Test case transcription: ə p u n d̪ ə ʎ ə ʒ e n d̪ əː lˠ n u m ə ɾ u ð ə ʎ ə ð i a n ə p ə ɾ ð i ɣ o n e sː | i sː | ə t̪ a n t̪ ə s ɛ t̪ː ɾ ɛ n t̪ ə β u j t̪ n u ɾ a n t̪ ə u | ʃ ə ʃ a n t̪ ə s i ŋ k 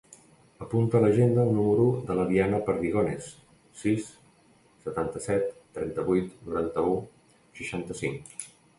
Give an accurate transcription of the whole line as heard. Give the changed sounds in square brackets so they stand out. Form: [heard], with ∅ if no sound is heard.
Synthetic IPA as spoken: ə p u n [t̪] ə [l] ə ʒ e n d̪ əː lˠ n u m ə ɾ u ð ə [l] ə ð i a n ə p ə ɾ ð i ɣ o n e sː | i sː | ə t̪ a n t̪ ə s ɛ t̪ː ɾ ɛ n t̪ ə β u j t̪ n u ɾ a n t̪ ə u | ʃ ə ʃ a n t̪ ə s i ŋ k

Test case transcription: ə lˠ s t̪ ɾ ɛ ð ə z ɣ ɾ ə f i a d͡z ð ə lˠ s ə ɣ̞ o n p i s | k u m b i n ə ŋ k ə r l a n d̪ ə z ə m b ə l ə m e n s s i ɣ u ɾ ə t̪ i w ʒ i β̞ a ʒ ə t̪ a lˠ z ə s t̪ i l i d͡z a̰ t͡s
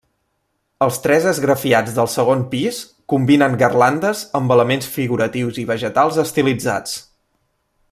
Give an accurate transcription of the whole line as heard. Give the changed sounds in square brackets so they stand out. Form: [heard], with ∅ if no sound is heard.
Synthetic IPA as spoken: ə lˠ s t̪ ɾ ɛ [z] ə z ɣ ɾ ə f i a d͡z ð ə lˠ s ə ɣ̞ o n p i s | k u m b i n ə ŋ [ɡ] ə r l a n d̪ ə z ə m b ə l ə m e n s [f] i ɣ u ɾ ə t̪ i w [z] i β̞ [ə] ʒ ə t̪ a lˠ z ə s t̪ i l i d͡z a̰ t͡s

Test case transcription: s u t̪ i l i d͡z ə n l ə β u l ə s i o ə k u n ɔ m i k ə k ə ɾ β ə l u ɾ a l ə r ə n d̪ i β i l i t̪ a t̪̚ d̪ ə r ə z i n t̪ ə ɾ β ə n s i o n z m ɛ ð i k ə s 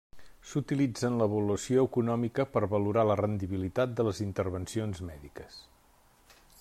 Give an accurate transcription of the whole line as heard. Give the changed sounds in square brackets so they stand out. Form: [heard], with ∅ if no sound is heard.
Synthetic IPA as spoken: s u t̪ i l i d͡z ə n l ə β u l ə s i o ə k u n ɔ m i k ə [p] ə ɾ β ə l u ɾ a l ə r ə n d̪ i β i l i t̪ a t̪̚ d̪ ə [l] ə z i n t̪ ə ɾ β ə n s i o n z m ɛ ð i k ə s

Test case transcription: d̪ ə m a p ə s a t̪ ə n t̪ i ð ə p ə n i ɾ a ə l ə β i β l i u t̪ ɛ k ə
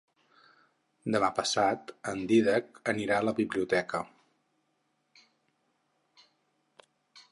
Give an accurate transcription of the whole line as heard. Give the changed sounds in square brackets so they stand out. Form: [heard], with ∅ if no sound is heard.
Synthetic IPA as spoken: d̪ ə m a p ə s a t̪ ə n [d̪] i ð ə [k] ə n i ɾ a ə l ə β i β l i u t̪ ɛ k ə

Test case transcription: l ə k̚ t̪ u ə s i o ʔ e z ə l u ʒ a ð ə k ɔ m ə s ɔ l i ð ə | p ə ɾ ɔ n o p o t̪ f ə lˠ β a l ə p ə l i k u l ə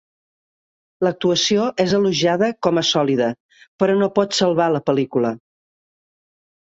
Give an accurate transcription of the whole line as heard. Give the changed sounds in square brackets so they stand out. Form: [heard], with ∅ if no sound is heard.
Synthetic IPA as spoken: l ə k̚ t̪ u ə s i o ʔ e z ə l u ʒ a ð ə k ɔ m ə s ɔ l i ð ə | p ə ɾ ɔ n o p [ɔ] t̪ [s] ə lˠ β a l ə p ə l i k u l ə

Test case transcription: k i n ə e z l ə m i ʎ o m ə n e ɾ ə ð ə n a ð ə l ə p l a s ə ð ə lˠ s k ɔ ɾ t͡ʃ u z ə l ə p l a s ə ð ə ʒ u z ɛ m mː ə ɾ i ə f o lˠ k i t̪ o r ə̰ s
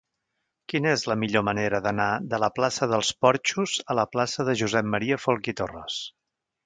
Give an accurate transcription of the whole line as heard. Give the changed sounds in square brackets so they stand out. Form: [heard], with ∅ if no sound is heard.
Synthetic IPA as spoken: k i n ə e z l ə m i ʎ o m ə n e ɾ ə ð ə n a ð ə l ə p l a s ə ð ə lˠ s [p] ɔ ɾ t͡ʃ u z ə l ə p l a s ə ð ə ʒ u z ɛ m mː ə ɾ i ə f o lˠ k i t̪ o r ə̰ s

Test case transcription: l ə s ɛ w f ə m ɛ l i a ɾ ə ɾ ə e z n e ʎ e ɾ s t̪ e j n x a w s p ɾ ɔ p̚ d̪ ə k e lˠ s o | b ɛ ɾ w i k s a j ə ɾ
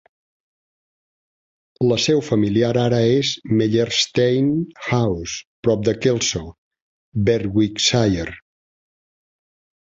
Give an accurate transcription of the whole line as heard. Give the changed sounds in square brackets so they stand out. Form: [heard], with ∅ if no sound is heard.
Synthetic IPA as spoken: l ə s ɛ w f ə m [i] l i a ɾ [a] ɾ ə e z [m] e ʎ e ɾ s t̪ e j n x a w s p ɾ ɔ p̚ d̪ ə k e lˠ s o | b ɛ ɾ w i k s a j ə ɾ

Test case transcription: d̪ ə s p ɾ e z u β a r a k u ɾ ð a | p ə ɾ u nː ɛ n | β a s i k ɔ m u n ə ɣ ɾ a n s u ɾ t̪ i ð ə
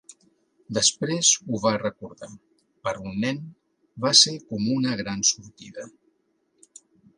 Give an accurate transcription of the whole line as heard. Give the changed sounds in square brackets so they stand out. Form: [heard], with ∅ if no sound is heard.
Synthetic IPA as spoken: d̪ ə s p ɾ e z u β a r [ə] k u ɾ ð a | p ə ɾ u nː ɛ n | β a s [e] k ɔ m u n ə ɣ ɾ a n s u ɾ t̪ i ð ə

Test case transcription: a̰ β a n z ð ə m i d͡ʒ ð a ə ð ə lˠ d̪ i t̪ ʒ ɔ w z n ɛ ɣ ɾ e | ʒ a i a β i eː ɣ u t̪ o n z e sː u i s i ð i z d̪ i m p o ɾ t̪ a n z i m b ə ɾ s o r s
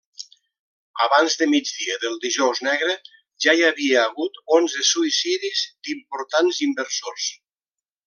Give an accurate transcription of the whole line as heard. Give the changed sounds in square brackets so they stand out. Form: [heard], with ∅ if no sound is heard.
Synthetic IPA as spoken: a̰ β a n z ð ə m i d͡ʒ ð [i] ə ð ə lˠ d̪ i [∅] ʒ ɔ w z n ɛ ɣ ɾ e | ʒ a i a β i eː ɣ u t̪ o n z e [s] u i s i ð i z d̪ i m p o ɾ t̪ a n z i m b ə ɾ s o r s

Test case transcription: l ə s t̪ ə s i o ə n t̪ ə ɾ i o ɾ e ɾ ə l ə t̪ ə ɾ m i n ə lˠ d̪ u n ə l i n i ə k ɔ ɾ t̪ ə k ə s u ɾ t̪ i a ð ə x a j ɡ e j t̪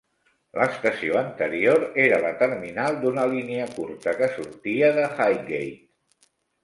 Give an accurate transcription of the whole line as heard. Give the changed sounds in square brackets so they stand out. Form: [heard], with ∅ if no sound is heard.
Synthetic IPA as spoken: l ə s t̪ ə s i o ə n t̪ ə ɾ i o ɾ e ɾ ə l ə t̪ ə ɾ m i n [a] lˠ d̪ u n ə l i n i ə k [u] ɾ t̪ ə k ə s u ɾ t̪ i [ə] ð ə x a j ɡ e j t̪

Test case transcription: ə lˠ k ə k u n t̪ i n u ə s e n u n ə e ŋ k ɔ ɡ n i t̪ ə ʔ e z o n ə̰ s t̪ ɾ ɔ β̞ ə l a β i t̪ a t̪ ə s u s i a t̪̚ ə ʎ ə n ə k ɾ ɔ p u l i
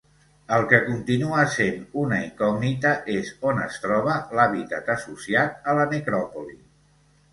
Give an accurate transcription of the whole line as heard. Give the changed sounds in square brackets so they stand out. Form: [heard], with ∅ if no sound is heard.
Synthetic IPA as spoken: ə lˠ k ə k u n t̪ i n u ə s e n u n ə [i] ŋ k ɔ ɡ n i t̪ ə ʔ e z o n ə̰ s t̪ ɾ ɔ β̞ ə l a β i t̪ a t̪ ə s u s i a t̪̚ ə [l] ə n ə k ɾ ɔ p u l i

